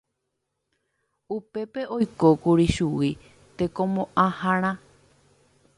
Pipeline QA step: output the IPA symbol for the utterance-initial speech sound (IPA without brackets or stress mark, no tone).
u